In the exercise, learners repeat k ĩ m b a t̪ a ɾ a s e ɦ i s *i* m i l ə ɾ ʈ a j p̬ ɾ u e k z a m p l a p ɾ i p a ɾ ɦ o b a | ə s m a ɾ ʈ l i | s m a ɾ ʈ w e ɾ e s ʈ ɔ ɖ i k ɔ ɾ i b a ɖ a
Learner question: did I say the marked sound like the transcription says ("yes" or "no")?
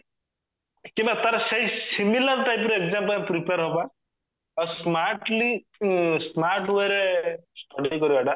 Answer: yes